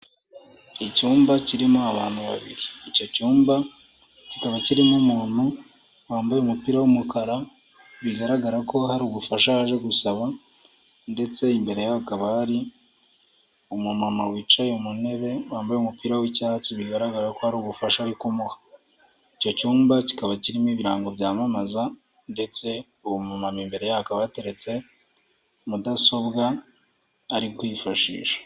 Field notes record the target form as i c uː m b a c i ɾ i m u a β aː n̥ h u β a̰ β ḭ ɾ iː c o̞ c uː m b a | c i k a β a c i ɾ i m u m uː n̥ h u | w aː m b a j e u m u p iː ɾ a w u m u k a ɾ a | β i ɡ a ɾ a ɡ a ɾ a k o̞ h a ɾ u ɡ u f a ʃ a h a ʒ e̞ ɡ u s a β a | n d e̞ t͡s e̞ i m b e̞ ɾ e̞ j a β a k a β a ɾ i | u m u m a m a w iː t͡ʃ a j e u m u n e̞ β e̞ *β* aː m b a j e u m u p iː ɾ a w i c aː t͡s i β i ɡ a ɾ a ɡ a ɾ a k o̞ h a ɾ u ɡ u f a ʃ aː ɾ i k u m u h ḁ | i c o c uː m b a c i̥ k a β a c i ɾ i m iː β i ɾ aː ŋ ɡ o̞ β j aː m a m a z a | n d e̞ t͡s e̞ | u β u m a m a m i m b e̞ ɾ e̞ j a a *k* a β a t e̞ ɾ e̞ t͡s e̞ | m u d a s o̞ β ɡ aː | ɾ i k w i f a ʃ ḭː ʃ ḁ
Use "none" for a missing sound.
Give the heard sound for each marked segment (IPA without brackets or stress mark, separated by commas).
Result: w, k